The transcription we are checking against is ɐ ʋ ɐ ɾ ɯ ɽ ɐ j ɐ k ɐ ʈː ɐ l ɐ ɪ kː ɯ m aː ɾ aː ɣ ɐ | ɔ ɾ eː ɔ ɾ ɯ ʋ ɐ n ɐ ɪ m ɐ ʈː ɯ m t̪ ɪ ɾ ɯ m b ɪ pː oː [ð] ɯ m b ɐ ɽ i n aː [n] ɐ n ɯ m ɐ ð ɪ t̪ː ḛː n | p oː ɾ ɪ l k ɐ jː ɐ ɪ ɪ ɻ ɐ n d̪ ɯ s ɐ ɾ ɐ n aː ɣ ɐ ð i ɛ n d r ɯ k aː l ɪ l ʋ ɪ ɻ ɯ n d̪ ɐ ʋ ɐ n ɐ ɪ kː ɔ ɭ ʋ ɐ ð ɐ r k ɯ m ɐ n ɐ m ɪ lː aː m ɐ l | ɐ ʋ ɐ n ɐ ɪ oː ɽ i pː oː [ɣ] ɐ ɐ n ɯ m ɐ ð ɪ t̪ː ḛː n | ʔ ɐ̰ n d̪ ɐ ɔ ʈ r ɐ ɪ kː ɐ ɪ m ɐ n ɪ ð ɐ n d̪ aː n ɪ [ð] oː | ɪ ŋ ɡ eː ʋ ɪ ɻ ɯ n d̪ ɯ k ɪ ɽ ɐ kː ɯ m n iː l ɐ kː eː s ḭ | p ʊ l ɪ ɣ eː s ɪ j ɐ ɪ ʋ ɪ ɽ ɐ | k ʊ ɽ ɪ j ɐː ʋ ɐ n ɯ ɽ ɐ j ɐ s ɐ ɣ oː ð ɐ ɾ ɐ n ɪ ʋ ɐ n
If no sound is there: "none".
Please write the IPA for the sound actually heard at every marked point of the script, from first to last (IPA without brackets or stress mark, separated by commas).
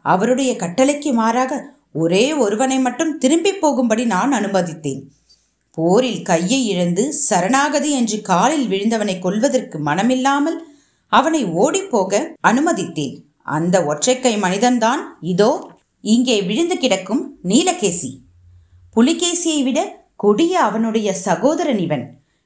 ɣ, n, ɣ, ð